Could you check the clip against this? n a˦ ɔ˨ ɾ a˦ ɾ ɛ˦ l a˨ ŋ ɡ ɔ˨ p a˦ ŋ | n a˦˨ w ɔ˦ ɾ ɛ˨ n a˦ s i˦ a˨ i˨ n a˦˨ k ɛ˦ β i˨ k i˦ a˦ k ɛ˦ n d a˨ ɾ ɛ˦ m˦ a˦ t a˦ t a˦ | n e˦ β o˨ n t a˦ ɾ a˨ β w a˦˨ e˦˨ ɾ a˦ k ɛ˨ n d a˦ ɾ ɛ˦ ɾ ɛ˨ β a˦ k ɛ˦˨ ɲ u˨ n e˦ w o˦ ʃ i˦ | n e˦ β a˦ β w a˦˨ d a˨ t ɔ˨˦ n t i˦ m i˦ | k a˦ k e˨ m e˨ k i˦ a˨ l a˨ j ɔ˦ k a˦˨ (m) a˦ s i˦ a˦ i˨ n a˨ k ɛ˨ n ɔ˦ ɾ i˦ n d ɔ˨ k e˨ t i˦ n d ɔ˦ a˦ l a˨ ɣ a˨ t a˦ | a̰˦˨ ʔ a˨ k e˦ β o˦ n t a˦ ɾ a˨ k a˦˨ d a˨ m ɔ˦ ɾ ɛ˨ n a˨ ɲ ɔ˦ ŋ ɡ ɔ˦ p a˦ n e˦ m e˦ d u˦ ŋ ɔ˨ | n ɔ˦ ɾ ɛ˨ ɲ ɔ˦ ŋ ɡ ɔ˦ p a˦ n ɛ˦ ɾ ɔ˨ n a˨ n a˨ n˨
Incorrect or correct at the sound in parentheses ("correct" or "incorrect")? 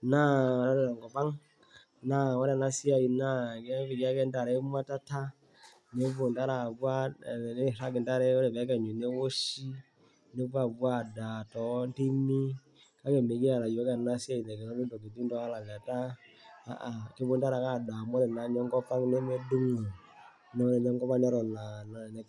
incorrect